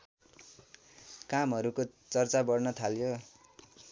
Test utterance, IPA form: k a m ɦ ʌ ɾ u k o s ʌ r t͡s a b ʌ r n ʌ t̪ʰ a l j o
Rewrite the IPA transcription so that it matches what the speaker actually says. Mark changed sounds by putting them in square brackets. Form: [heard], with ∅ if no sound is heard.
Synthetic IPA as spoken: k a m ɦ ʌ ɾ u k o [t͡s] ʌ r t͡s a b ʌ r n ʌ t̪ʰ a l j o

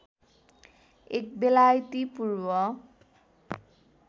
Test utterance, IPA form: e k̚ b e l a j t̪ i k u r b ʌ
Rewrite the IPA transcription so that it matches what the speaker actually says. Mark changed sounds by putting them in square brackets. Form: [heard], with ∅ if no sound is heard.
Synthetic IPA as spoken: e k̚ b e l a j t̪ i [p] u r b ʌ

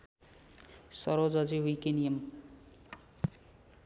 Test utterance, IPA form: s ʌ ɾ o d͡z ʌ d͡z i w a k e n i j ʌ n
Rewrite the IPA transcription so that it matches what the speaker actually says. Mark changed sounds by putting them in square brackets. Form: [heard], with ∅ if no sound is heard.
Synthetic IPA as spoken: s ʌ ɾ o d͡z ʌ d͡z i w [i] k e n i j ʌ [m]

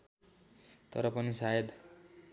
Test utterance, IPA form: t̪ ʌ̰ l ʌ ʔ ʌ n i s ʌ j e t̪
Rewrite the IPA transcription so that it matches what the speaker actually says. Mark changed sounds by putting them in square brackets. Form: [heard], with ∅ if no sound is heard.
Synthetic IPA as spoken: t̪ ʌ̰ [ɾ] ʌ [p] ʌ n i s [a] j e [d̪]

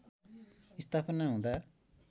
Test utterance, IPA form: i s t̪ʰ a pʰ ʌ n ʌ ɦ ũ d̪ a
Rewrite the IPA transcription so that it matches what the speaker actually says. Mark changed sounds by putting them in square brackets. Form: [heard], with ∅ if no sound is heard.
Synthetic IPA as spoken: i s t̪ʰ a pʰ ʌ n [a] ɦ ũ d̪ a

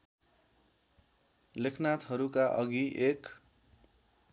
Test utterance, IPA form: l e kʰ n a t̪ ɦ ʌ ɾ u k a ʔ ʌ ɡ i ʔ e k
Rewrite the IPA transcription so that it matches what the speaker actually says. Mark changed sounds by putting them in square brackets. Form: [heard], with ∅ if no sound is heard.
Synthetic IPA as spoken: l e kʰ n a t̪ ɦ ʌ ɾ u k a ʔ ʌ ɡ i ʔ e k

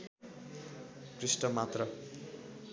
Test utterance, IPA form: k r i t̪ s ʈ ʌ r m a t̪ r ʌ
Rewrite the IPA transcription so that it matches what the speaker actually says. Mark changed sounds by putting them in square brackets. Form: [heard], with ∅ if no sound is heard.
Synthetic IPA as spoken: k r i [∅] s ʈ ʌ [∅] m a t̪ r ʌ

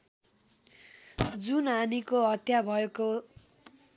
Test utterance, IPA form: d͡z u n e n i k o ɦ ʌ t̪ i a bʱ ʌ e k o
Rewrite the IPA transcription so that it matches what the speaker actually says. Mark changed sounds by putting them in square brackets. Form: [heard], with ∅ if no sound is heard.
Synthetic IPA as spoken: d͡z u n [a] n i k o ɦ ʌ t̪ [j] a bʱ ʌ e k o

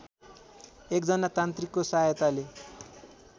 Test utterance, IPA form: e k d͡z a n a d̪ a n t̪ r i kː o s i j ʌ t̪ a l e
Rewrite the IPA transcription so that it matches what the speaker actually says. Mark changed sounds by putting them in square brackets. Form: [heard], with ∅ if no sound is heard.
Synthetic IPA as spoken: e k d͡z [ʌ] n a [t̪] a n t̪ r i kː o s [a] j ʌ t̪ a l e

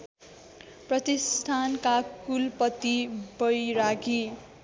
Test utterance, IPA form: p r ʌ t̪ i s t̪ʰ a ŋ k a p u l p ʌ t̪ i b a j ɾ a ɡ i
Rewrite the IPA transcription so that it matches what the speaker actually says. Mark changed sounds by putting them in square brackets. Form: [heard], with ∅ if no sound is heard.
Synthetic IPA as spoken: p r ʌ t̪ i s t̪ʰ a [n] k a [k] u l p ʌ t̪ i b [ʌ] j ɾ a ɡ i

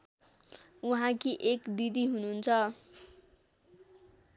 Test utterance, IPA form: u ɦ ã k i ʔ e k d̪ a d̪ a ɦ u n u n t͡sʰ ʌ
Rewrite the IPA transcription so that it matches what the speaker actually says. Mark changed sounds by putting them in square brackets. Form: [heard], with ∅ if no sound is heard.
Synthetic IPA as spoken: u ɦ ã k i ʔ e k d̪ [i] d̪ [i] ɦ u n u n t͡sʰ ʌ

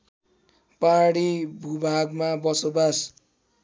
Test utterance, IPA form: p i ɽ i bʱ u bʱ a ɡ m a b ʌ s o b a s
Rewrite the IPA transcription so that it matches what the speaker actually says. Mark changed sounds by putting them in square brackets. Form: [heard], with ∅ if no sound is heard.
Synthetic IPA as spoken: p [a] ɽ i bʱ u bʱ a ɡ m a b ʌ s o b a s

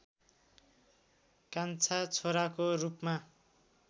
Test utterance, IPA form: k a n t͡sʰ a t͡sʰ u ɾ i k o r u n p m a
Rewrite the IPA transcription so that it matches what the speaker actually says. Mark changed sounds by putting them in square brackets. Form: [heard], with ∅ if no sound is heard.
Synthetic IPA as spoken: k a n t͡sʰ a t͡sʰ [o] ɾ [a] k o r u [∅] p m a

